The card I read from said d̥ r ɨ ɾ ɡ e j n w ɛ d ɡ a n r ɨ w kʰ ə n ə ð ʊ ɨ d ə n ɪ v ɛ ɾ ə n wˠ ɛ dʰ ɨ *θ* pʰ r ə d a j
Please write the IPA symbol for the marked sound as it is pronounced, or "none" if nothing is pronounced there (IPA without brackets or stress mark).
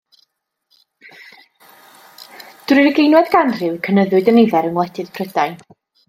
ð